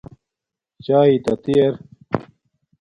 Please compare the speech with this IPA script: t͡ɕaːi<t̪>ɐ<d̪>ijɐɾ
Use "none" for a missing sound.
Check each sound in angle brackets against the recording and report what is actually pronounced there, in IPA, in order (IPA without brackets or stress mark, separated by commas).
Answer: t̪, t̪